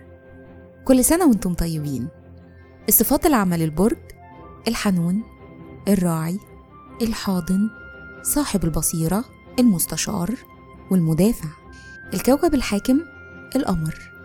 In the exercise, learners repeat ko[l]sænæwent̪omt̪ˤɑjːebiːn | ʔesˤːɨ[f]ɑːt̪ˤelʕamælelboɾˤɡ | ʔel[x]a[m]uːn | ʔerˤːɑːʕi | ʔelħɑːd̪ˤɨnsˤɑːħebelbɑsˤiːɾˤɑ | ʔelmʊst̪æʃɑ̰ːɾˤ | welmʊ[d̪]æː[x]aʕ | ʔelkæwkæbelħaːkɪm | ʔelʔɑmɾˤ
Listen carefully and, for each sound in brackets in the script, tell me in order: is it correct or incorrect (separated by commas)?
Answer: incorrect, correct, incorrect, incorrect, correct, incorrect